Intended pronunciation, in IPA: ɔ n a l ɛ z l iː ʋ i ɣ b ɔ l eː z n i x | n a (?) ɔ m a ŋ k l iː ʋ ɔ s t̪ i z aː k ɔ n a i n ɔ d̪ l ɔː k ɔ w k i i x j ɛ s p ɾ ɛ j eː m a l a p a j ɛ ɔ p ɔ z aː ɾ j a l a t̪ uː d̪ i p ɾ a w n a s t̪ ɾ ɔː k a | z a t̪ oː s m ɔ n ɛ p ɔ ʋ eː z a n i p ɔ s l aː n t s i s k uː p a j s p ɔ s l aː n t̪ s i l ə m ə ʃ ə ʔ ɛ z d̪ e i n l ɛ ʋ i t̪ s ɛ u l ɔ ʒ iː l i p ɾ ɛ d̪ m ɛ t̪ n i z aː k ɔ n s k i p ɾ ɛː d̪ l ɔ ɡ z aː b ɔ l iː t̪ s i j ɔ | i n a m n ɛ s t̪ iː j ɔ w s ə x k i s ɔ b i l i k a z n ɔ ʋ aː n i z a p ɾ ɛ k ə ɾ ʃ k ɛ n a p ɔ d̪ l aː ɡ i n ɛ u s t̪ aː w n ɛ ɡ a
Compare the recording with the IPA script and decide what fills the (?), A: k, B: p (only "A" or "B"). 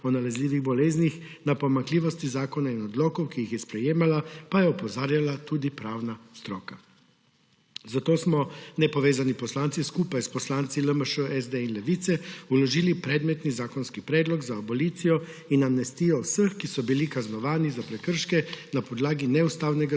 B